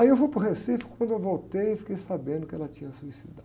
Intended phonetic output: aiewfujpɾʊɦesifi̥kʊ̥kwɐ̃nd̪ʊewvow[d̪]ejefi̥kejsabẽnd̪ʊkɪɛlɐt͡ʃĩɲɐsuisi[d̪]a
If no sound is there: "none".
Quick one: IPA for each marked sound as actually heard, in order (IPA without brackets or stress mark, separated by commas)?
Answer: t̪, d̪